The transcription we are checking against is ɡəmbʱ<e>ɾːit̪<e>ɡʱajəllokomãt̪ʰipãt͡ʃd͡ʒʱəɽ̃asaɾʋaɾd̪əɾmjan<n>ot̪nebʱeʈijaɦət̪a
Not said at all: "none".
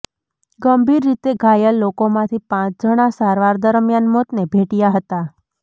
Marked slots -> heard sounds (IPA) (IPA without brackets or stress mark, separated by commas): i, e, m